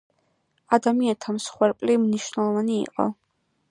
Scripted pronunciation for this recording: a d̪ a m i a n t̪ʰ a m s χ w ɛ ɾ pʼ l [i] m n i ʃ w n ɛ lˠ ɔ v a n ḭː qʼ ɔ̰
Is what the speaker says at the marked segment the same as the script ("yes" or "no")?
yes